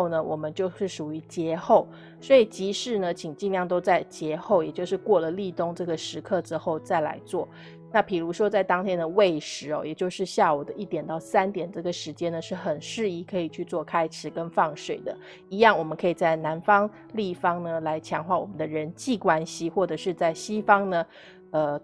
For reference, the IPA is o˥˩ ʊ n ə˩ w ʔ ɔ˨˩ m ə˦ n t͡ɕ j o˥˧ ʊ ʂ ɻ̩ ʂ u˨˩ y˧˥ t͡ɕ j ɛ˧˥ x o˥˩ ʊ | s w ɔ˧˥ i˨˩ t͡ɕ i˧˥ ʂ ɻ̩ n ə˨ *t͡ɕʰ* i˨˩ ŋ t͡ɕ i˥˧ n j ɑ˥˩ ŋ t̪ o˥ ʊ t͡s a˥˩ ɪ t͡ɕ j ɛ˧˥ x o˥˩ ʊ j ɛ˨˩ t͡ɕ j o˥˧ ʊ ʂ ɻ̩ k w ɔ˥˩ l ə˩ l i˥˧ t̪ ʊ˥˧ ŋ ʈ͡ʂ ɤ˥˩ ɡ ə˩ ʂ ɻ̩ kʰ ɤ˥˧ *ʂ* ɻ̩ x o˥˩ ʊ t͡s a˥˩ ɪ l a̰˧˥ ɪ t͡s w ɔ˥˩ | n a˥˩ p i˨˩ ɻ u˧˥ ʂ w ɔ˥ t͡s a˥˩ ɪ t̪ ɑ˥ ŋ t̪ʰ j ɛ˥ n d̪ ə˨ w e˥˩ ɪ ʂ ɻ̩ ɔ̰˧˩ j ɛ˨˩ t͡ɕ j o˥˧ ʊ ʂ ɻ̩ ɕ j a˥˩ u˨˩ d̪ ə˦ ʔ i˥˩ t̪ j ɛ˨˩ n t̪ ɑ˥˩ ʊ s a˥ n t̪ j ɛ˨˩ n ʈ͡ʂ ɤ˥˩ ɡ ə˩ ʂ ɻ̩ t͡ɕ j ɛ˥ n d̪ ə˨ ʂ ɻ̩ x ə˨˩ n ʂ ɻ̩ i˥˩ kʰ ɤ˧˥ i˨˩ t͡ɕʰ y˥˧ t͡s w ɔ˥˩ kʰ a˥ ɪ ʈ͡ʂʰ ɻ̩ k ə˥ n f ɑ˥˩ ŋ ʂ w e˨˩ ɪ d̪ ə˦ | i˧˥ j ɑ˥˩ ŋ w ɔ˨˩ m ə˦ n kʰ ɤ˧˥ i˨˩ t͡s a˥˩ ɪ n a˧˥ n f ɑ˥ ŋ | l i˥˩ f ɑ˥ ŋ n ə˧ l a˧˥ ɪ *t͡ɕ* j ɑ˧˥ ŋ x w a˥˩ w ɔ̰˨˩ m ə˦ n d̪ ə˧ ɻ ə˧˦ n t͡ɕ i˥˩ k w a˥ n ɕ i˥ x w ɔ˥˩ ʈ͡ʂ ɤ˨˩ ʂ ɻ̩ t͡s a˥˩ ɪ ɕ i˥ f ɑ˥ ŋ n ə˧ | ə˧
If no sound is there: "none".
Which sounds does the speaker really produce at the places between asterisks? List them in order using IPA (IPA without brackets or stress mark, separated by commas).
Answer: t͡ɕʰ, ʈ͡ʂ, t͡ɕʰ